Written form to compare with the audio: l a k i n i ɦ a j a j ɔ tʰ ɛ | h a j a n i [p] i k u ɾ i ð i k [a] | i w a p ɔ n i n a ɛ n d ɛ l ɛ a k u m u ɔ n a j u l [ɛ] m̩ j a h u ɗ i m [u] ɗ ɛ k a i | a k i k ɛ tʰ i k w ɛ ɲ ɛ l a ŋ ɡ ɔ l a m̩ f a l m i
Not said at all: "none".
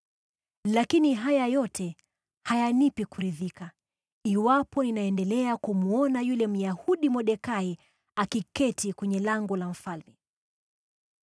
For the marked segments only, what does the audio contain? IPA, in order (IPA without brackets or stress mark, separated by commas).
p, a, ɛ, ɔ